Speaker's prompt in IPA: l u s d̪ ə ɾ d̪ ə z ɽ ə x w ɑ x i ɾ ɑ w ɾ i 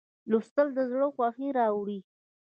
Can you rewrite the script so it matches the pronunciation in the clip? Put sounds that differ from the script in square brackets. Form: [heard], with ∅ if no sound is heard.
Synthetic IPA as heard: l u s [t̪] ə [l] d̪ ə z ɽ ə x w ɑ x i ɾ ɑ w [ɽ] i